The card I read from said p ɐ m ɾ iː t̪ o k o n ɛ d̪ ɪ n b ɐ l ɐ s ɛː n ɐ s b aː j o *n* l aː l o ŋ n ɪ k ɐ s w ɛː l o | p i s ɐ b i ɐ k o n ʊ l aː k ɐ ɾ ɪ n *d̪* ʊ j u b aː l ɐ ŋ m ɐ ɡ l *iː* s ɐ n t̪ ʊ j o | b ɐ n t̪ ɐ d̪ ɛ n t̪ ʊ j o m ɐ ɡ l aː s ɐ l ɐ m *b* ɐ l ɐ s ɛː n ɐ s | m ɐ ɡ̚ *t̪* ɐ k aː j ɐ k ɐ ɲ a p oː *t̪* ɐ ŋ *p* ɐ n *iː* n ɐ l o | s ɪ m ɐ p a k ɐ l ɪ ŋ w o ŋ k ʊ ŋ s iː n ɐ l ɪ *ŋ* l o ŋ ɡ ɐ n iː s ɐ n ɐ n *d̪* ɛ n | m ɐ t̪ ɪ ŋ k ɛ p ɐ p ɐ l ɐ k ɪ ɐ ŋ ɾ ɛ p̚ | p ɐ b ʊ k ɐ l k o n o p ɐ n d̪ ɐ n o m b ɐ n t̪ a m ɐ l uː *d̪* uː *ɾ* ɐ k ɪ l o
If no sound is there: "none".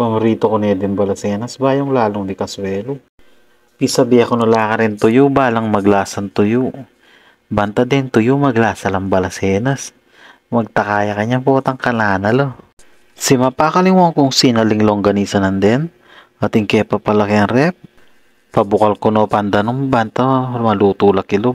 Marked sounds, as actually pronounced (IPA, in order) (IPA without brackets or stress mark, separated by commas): ŋ, t̪, aː, b, t̪, t̪, k, aː, ŋ, d̪, t̪, l